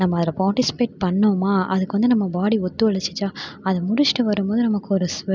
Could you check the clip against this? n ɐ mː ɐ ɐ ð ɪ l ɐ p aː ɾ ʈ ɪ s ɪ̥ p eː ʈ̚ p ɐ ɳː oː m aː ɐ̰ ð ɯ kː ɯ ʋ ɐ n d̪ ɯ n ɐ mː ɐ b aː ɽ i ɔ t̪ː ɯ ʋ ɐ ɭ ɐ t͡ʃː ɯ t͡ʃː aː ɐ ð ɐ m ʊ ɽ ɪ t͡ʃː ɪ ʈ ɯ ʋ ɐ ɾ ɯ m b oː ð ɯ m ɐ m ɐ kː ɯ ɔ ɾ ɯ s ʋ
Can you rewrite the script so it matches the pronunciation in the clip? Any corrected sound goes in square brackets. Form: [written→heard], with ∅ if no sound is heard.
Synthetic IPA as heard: n ɐ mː ɐ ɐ ð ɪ l ɐ p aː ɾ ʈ ɪ s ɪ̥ p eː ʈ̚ p ɐ ɳː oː m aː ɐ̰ ð ɯ kː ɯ ʋ ɐ n d̪ ɯ n ɐ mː ɐ b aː ɽ i ɔ t̪ː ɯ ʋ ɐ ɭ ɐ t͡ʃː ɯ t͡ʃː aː ɐ ð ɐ m ʊ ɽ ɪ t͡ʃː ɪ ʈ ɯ ʋ ɐ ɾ ɯ m b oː ð ɯ [m→n] ɐ m ɐ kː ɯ ɔ ɾ ɯ s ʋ